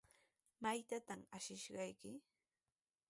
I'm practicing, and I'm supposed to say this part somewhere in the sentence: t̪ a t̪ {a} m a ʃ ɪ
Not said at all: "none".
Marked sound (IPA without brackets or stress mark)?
a